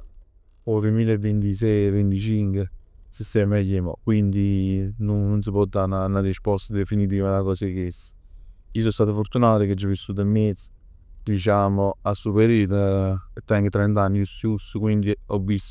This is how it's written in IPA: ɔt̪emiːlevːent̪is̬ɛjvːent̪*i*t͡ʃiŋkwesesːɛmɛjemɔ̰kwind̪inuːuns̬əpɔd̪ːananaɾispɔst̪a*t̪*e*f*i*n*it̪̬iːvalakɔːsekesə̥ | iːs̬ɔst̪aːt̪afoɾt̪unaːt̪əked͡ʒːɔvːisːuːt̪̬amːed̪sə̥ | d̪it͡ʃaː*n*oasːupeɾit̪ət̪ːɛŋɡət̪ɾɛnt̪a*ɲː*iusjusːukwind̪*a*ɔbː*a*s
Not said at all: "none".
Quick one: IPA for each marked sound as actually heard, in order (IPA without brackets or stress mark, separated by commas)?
i, d̪, f, n, m, nː, i, i